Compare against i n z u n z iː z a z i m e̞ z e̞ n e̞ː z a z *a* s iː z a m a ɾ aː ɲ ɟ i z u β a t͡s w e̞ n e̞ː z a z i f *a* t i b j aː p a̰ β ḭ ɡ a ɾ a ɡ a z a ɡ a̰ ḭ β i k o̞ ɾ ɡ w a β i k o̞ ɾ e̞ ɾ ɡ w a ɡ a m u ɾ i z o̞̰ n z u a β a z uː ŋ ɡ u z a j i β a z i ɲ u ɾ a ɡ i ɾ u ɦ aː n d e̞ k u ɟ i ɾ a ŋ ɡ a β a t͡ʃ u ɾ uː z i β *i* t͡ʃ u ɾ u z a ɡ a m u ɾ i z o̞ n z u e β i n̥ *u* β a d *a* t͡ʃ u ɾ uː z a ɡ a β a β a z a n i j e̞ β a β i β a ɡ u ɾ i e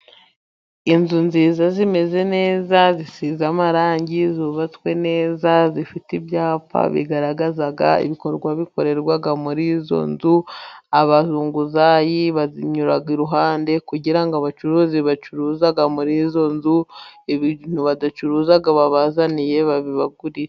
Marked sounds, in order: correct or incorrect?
incorrect, incorrect, incorrect, correct, correct

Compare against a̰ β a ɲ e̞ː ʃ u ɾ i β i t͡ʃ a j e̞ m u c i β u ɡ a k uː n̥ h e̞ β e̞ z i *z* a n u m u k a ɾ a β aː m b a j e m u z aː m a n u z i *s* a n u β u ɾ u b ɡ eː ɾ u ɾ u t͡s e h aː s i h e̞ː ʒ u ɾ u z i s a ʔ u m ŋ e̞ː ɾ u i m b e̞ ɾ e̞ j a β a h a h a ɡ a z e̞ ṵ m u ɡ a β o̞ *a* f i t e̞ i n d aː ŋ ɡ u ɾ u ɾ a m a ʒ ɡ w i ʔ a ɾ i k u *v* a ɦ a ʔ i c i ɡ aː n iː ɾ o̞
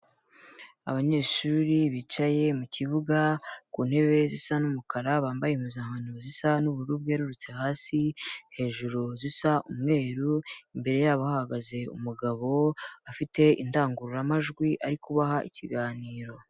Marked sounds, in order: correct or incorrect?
incorrect, correct, correct, incorrect

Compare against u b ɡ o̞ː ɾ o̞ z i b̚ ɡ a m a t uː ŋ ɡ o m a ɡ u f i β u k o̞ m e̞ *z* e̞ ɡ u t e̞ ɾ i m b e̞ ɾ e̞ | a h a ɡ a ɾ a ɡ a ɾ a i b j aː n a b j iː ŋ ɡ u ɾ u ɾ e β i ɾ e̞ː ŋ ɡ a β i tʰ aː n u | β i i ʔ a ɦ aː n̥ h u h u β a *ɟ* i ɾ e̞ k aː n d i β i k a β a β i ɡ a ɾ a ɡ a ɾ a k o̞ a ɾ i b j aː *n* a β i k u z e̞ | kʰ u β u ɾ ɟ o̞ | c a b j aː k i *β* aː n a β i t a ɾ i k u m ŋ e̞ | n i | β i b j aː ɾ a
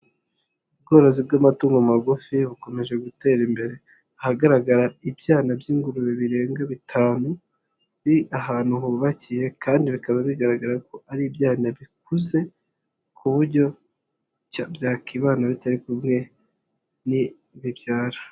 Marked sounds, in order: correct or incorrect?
incorrect, incorrect, correct, correct

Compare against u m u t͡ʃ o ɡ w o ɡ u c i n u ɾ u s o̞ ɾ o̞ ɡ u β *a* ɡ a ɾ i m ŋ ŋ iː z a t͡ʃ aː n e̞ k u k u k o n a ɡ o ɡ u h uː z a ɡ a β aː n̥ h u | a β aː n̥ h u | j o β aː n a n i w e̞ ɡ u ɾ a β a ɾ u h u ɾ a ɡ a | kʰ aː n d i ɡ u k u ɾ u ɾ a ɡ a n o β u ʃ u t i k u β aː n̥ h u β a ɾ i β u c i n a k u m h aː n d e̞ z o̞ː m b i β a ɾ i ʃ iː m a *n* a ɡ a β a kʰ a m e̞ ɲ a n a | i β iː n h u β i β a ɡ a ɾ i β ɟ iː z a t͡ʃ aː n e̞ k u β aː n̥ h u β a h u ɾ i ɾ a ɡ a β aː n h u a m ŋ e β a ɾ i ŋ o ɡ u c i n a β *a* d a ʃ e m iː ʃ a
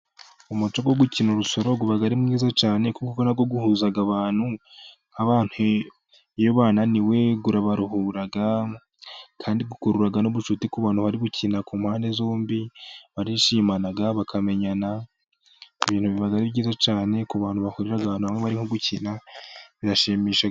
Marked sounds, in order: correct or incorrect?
correct, correct, incorrect

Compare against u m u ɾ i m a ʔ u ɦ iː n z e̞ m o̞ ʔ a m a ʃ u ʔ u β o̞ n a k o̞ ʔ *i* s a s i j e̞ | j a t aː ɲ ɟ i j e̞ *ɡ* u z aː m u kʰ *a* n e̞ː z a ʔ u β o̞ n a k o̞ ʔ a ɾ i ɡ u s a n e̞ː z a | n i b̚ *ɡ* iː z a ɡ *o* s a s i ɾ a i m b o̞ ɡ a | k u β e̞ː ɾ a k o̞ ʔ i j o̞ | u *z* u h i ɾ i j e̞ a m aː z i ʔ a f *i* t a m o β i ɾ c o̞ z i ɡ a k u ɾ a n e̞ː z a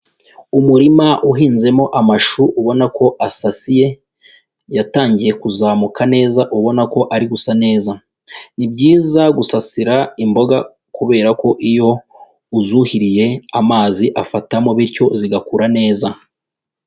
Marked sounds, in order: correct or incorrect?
incorrect, incorrect, correct, incorrect, incorrect, correct, incorrect

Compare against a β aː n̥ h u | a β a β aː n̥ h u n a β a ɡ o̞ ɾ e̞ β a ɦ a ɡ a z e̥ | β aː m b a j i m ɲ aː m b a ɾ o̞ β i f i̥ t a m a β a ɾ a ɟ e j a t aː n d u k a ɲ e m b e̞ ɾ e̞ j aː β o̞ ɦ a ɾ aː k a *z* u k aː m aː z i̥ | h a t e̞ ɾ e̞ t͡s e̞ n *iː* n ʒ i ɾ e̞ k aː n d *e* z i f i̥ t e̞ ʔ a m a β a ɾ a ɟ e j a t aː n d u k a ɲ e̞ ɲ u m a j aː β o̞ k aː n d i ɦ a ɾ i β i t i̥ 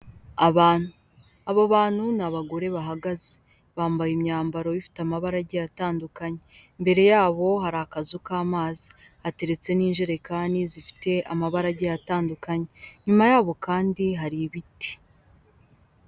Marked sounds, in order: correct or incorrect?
correct, correct, incorrect

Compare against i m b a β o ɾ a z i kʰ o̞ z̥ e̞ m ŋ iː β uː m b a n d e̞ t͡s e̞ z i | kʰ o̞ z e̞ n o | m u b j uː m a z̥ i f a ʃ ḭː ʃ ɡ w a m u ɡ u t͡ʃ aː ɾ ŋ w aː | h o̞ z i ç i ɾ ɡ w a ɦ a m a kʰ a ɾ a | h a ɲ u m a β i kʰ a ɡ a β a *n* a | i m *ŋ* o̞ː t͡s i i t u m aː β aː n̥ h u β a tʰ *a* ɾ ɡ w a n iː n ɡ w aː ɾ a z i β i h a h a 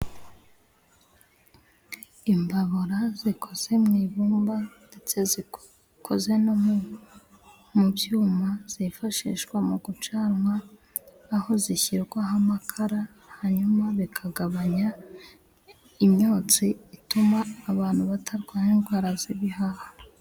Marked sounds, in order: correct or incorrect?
incorrect, incorrect, correct

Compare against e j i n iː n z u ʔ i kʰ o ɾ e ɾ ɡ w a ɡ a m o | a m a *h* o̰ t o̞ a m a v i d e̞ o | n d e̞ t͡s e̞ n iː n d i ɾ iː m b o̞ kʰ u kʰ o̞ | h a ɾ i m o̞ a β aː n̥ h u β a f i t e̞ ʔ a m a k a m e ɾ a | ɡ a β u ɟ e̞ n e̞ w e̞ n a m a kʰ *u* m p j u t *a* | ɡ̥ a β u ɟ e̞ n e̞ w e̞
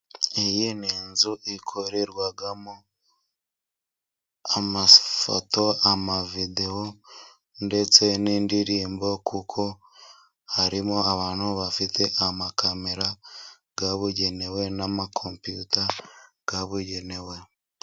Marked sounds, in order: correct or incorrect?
incorrect, incorrect, correct

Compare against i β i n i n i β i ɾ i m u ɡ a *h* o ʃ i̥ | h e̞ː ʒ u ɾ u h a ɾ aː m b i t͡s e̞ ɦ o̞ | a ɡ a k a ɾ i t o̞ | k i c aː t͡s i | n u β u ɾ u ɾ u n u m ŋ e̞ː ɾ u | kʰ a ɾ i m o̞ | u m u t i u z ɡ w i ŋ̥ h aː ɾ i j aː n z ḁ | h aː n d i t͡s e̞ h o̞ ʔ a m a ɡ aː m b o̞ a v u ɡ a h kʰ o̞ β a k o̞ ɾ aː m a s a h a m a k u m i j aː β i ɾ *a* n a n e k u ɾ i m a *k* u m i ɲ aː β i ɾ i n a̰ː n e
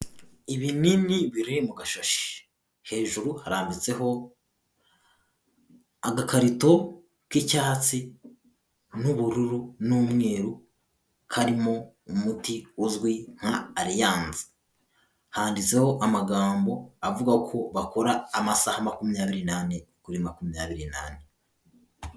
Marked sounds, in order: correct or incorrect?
incorrect, incorrect, correct

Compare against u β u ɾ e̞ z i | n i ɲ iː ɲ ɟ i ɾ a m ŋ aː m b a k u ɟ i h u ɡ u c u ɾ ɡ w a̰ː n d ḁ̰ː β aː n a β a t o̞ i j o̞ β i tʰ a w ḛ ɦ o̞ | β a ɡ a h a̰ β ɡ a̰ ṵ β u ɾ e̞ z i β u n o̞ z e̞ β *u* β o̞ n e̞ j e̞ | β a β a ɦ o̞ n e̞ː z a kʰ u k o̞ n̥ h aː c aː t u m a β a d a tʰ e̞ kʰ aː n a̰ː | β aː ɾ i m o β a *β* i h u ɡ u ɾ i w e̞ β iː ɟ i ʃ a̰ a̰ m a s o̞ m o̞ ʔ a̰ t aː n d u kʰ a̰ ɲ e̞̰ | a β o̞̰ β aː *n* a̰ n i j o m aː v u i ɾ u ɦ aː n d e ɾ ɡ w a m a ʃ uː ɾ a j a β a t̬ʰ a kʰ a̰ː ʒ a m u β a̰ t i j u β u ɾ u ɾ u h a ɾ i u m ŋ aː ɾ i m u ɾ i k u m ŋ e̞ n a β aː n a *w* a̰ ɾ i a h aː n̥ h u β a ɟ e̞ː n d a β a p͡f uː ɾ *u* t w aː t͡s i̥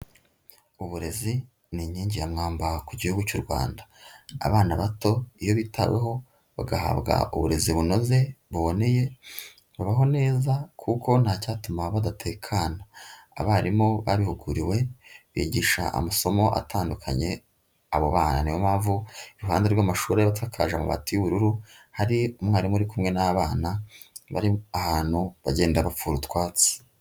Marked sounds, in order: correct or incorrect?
correct, correct, correct, incorrect, correct

